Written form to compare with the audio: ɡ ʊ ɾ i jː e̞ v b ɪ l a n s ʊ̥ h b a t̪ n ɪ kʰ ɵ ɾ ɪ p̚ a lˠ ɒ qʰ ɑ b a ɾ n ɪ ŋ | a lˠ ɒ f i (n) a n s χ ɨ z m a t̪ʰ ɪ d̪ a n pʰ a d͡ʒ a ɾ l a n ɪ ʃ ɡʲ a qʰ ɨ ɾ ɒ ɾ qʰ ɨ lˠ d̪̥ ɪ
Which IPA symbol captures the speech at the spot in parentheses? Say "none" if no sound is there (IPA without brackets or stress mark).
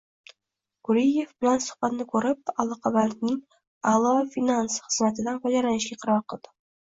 n